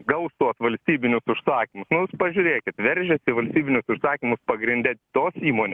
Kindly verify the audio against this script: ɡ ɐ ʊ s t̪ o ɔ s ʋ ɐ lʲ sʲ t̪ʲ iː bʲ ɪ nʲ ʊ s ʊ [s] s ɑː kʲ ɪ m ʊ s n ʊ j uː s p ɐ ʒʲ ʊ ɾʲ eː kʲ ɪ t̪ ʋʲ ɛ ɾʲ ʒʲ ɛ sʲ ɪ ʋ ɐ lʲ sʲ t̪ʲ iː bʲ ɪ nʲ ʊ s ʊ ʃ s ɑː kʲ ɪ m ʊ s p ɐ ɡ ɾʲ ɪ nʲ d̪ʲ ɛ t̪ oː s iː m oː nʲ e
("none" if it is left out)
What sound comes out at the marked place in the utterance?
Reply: ʃ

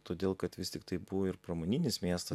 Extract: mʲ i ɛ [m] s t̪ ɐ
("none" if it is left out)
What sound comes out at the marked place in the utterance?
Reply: none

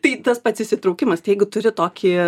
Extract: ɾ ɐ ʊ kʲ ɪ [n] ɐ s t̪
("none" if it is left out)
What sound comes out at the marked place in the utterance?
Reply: m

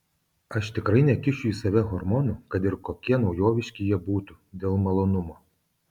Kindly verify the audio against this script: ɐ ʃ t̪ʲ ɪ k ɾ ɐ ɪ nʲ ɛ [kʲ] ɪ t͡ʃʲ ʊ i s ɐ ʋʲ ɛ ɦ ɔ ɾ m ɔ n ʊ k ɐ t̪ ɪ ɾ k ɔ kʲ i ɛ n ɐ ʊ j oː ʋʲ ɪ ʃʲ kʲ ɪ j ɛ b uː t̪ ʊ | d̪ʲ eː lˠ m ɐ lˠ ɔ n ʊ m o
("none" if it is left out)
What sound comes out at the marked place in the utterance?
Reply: kʲ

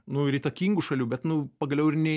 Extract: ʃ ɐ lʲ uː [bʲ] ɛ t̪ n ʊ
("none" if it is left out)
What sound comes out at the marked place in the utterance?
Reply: bʲ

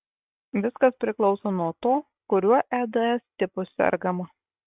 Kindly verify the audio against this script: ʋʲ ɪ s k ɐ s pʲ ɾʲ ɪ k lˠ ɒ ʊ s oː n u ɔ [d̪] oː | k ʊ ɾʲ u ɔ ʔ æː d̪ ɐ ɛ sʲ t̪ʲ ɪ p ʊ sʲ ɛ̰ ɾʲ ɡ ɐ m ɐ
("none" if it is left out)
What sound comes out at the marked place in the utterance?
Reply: t̪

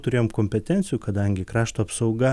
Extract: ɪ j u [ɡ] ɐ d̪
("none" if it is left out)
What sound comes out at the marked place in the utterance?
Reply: k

